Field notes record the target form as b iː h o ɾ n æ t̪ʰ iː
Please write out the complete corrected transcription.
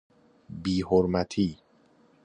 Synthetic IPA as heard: b iː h o ɾ m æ t̪ʰ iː